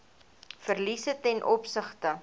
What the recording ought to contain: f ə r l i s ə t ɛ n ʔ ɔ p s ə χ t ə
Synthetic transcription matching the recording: f ə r l i s ə t ɛ n ʔ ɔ p s ə χ t ə